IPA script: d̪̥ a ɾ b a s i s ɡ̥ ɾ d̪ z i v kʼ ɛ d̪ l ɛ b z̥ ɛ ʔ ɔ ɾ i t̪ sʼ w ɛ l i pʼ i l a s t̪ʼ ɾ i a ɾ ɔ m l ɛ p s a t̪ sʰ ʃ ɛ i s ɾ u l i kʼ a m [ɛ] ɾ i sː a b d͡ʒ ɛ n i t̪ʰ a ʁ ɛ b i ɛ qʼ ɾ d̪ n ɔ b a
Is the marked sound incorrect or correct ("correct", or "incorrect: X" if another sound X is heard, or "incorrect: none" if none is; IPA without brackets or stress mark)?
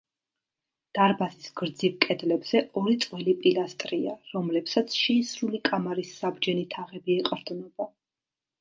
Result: incorrect: a